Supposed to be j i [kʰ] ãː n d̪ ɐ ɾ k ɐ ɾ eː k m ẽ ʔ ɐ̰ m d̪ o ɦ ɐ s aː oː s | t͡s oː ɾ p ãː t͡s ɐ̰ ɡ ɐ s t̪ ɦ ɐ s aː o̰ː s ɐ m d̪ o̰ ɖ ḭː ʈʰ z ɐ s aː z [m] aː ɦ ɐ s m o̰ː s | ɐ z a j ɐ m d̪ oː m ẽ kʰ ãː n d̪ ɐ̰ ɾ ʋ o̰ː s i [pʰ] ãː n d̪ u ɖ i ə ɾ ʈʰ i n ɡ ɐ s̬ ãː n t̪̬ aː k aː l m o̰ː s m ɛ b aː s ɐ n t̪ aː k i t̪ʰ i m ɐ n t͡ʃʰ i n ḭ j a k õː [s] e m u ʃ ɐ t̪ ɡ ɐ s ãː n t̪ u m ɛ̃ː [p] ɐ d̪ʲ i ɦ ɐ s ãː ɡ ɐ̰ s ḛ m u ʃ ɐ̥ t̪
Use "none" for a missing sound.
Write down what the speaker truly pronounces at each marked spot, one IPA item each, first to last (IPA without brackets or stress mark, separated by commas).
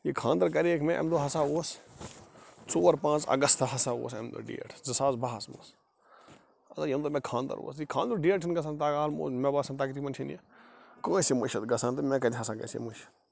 kʰ, b, kʰ, s, k